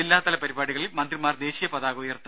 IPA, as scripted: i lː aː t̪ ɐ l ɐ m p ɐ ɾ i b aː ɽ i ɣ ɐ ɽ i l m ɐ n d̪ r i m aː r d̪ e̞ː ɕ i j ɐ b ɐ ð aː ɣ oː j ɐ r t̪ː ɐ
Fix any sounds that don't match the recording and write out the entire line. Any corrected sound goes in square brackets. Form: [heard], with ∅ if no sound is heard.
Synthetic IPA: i lː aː t̪ ɐ l ɐ [∅] p ɐ ɾ i b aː ɽ i ɣ ɐ [ɭ] i l m ɐ n d̪ r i m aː r d̪ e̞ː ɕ i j ɐ [p] ɐ ð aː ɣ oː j ɐ r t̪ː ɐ